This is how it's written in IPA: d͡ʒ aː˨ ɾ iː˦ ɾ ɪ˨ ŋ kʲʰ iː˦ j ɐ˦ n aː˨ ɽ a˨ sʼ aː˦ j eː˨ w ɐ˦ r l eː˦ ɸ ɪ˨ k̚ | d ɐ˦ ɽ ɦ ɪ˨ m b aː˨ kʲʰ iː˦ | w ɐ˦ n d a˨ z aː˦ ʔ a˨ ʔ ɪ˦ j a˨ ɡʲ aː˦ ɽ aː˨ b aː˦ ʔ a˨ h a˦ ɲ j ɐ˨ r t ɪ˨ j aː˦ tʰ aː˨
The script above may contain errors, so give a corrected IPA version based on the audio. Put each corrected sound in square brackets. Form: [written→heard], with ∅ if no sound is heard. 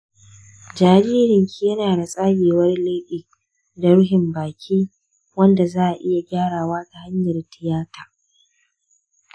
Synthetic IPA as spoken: d͡ʒ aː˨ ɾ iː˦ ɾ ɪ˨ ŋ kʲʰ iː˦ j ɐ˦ n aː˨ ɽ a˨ sʼ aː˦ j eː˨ w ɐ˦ r l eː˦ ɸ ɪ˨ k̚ | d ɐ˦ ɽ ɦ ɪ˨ m b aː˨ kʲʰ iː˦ | w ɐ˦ n d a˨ z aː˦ ʔ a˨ ʔ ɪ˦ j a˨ ɡʲ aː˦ ɽ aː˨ [b→w] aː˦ [ʔ→t] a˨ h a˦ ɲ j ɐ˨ r t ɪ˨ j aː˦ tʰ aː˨